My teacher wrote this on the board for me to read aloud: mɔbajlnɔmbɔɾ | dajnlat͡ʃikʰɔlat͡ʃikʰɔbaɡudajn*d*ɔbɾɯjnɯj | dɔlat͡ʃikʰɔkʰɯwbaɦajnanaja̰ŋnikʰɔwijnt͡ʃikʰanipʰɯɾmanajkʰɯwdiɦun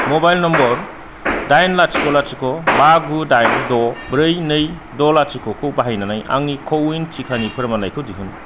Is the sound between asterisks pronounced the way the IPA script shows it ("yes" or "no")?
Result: yes